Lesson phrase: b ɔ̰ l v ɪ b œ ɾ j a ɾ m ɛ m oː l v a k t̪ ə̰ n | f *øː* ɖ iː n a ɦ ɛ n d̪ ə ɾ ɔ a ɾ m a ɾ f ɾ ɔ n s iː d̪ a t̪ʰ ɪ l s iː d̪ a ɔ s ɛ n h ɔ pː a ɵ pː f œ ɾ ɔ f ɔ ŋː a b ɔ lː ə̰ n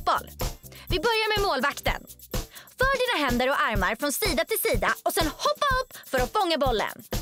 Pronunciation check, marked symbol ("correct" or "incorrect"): incorrect